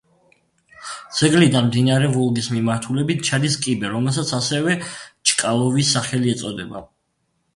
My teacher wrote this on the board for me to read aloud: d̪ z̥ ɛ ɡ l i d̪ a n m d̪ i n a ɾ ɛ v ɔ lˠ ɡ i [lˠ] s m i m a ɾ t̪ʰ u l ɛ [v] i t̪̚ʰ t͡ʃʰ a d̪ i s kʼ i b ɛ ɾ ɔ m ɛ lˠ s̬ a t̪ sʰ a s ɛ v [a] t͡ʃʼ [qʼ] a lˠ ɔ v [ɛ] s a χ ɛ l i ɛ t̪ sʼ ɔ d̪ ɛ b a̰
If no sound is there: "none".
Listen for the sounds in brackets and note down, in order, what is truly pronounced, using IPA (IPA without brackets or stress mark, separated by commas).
none, b, ɛ, kʼ, i